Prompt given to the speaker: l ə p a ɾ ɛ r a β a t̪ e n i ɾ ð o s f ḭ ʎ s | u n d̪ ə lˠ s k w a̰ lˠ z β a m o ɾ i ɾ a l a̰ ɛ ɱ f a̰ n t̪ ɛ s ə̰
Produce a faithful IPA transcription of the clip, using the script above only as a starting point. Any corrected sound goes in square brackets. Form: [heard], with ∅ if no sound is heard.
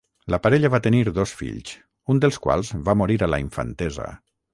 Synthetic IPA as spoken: l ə p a ɾ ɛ [ʎ] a β a t̪ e n i ɾ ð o s f ḭ ʎ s | u n d̪ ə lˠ s k w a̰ lˠ z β a m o ɾ i ɾ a l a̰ [i] ɱ f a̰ n t̪ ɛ [z] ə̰